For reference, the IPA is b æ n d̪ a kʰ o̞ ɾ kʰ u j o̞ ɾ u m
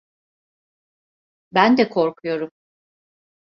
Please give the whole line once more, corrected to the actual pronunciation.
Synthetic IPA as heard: b æ n d̪ ɛ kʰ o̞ ɾ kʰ u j o̞ ɾ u m